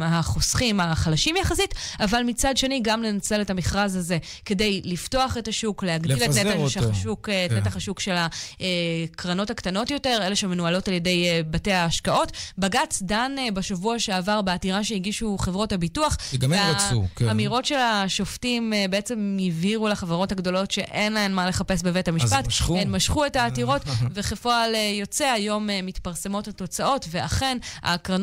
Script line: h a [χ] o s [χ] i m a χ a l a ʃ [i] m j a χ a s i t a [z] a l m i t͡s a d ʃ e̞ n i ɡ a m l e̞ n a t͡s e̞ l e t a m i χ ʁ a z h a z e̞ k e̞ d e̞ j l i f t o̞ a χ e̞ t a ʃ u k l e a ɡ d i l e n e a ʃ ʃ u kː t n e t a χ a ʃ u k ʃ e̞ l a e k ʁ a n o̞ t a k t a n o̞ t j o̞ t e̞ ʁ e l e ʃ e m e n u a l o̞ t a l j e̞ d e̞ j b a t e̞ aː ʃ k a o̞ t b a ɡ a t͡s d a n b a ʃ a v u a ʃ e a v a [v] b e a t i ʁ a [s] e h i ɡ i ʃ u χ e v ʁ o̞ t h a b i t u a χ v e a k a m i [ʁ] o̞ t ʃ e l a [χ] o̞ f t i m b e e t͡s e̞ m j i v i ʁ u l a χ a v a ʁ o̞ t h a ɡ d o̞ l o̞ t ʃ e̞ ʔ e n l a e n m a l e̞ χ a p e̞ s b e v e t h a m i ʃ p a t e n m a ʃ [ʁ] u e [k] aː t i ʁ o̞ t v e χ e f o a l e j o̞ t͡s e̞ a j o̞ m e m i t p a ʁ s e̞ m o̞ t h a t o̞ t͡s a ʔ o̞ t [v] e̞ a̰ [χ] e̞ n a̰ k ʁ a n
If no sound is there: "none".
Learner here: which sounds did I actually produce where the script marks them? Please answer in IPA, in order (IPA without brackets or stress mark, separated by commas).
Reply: χ, χ, i, v, ʁ, ʃ, ʁ, ʃ, χ, t, v, χ